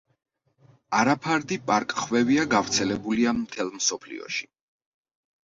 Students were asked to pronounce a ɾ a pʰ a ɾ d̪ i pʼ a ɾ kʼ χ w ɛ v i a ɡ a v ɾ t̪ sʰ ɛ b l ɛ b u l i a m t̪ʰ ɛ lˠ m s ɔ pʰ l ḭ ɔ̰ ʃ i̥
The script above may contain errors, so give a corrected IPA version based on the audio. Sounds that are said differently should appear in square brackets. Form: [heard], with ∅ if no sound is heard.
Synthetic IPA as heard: a ɾ a pʰ a ɾ d̪ i pʼ a ɾ kʼ χ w ɛ v i a ɡ a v ɾ t̪ sʰ ɛ [∅] l ɛ b u l i a m t̪ʰ ɛ lˠ m s ɔ pʰ l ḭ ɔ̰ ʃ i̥